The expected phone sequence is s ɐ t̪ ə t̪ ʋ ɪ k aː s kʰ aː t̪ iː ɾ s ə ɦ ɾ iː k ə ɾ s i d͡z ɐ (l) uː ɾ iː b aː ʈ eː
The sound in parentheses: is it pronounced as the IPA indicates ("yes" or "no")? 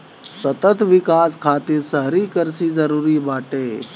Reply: no